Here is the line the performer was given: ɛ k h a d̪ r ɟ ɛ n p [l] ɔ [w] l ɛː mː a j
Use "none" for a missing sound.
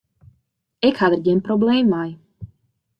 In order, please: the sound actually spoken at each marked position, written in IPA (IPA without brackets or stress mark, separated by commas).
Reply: ɾ, b